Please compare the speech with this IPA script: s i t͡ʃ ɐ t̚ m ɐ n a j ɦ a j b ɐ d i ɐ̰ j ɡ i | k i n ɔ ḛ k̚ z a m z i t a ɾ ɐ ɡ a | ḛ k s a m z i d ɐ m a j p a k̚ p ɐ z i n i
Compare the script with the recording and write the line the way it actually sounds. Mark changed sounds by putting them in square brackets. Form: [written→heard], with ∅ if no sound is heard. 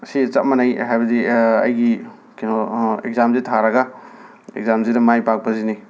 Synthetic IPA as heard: s i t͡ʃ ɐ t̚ m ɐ n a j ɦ a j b ɐ d i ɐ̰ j ɡ i | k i n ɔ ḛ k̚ z a m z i [t→tʰ] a ɾ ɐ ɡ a | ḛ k [s→z] a m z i d ɐ m a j p a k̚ p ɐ z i n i